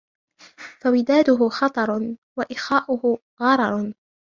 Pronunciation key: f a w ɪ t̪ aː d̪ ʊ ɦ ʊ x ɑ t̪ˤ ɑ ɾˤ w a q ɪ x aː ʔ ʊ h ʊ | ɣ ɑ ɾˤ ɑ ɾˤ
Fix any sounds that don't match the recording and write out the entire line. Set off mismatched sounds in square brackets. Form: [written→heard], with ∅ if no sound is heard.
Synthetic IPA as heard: f a w ɪ [t̪→d̪] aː d̪ ʊ ɦ ʊ x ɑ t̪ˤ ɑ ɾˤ w a [q→ʔ] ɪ x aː ʔ ʊ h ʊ | ɣ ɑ ɾˤ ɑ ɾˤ